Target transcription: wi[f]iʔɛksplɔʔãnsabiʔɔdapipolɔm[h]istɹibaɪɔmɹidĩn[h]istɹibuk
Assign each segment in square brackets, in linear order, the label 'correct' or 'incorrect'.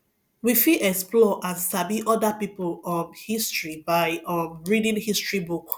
correct, correct, correct

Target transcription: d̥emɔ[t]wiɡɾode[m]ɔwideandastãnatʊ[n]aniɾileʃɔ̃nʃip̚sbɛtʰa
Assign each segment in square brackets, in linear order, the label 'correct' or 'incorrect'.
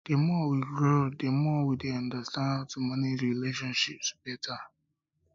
incorrect, correct, incorrect

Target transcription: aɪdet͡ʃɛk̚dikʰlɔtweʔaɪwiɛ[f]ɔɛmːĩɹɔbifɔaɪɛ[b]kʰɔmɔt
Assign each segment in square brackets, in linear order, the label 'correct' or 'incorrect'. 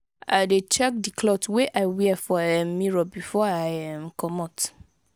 correct, incorrect

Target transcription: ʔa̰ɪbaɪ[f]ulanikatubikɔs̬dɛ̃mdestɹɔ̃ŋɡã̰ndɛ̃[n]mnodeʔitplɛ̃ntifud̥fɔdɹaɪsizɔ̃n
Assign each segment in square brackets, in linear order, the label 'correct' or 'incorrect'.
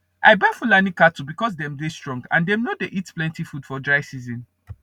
correct, incorrect

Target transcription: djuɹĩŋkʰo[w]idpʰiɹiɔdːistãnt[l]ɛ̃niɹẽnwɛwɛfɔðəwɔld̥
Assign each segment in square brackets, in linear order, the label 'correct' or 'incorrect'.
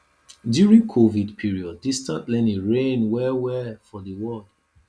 incorrect, correct

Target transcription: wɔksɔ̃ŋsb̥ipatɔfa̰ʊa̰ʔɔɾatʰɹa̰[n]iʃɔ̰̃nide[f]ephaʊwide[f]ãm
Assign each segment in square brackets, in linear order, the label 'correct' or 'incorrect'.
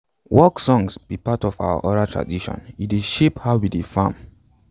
incorrect, incorrect, correct

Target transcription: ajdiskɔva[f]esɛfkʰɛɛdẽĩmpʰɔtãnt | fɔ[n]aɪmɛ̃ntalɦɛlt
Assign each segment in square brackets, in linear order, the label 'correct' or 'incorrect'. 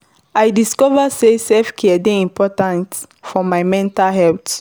incorrect, incorrect

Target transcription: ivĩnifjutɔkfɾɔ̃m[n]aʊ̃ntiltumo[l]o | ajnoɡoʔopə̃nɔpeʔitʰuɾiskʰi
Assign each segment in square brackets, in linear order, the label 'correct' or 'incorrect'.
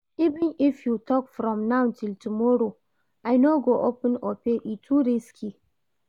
correct, incorrect

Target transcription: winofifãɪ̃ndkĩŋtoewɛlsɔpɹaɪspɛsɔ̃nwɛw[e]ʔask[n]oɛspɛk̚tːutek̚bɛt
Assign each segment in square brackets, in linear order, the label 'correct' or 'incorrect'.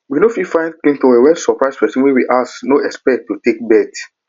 incorrect, correct

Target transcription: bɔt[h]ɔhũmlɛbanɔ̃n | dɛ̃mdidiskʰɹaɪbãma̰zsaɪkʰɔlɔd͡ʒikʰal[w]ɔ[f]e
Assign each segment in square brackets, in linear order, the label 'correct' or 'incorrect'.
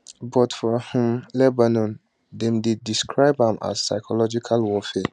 incorrect, correct, correct

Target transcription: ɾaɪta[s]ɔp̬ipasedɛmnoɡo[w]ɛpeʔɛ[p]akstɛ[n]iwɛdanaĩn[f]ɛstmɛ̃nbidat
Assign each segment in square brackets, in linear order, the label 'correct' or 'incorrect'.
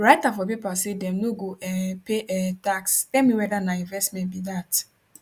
incorrect, incorrect, incorrect, incorrect, incorrect

